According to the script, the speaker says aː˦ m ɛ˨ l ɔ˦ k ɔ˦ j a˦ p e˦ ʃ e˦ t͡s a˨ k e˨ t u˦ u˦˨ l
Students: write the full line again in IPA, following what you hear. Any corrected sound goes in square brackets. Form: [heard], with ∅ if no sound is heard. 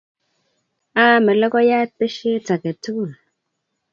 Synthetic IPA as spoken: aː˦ m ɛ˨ l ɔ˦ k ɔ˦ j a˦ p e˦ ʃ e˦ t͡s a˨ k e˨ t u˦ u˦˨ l